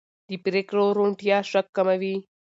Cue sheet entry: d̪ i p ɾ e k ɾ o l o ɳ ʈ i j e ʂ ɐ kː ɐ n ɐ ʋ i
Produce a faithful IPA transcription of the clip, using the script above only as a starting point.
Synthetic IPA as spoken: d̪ i p ɾ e k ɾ o ɾ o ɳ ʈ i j a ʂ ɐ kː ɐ m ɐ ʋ i